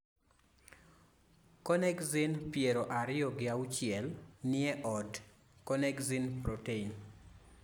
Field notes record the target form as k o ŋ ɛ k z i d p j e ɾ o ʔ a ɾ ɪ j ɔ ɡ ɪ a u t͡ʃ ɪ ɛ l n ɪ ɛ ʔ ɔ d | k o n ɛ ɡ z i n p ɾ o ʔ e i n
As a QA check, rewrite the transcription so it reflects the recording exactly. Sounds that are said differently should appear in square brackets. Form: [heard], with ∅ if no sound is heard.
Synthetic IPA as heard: k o [n] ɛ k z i [n] p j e ɾ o ʔ a ɾ ɪ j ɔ ɡ ɪ a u t͡ʃ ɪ ɛ l n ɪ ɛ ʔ ɔ d | k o n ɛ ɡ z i n p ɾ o [t] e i n